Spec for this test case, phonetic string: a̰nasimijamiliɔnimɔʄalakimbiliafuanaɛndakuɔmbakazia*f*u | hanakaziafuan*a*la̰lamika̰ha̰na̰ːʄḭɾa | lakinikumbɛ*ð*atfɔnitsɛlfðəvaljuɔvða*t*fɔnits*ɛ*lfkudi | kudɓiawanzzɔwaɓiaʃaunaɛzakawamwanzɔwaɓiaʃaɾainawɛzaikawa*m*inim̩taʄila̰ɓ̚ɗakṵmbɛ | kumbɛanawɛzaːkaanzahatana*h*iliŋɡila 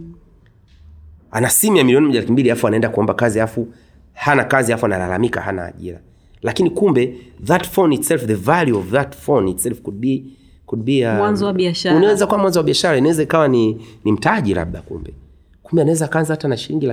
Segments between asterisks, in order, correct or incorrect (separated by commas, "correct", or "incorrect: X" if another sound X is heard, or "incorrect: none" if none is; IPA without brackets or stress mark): correct, correct, correct, correct, correct, incorrect: n, incorrect: ʃ